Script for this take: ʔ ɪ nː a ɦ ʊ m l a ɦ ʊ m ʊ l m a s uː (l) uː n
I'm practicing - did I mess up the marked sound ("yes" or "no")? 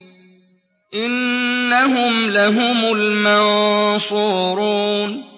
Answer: yes